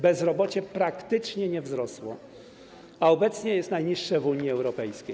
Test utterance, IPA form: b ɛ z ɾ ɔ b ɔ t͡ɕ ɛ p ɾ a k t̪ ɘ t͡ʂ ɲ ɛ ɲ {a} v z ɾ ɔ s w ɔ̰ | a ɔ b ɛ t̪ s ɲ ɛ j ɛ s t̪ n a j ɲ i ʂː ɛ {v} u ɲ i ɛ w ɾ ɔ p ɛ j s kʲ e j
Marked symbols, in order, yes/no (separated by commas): no, yes